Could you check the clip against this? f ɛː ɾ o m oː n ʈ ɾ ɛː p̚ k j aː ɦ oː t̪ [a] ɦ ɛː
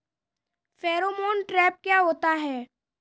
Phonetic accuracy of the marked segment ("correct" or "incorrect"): correct